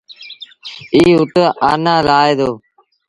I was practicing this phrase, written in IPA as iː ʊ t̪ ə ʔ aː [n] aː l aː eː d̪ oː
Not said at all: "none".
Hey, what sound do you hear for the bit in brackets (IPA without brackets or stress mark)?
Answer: n